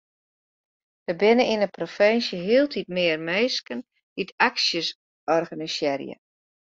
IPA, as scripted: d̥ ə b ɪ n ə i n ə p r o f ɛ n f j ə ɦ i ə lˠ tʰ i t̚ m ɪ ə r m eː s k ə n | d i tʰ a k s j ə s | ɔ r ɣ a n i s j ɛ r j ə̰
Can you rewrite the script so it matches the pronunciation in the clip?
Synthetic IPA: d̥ ə b ɪ n ə i n ə p r o f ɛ n s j ə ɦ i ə lˠ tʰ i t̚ m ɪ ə r m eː s k ə n | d i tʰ a k s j ə s | ɔ r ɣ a n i s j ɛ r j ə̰